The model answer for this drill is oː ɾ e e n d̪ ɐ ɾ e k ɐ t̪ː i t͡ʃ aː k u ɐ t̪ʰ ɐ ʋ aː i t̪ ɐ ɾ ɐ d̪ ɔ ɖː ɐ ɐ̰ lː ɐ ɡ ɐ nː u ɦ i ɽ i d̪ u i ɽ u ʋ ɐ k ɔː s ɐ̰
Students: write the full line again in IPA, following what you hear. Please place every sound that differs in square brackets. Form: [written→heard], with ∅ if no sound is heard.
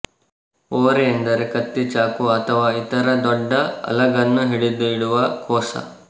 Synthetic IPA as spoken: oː ɾ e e n d̪ ɐ ɾ e k ɐ t̪ː i t͡ʃ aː k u ɐ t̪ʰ ɐ ʋ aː i t̪ ɐ ɾ ɐ d̪ ɔ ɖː ɐ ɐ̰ [lː→l] ɐ ɡ ɐ nː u ɦ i ɽ i d̪ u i ɽ u ʋ ɐ k ɔː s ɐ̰